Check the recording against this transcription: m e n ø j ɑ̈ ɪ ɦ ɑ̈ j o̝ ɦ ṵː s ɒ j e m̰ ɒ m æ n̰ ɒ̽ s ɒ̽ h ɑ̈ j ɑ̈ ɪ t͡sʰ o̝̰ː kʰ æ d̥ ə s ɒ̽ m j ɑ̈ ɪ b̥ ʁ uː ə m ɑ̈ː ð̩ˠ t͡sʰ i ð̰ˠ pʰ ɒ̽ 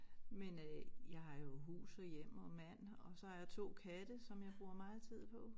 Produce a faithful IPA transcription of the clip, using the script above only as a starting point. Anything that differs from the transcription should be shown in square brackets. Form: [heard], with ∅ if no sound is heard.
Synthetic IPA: m e n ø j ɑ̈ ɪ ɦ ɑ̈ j o̝ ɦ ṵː s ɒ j e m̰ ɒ m æ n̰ ɒ̽ s ɒ̽ h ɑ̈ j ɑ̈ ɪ t͡sʰ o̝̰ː kʰ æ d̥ ə s ɒ̽ m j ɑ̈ ɪ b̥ ʁ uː [ɐ] m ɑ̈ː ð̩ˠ t͡sʰ i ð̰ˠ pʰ ɒ̽